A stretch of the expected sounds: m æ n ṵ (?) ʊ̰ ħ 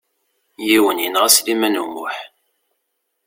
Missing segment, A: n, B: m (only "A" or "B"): B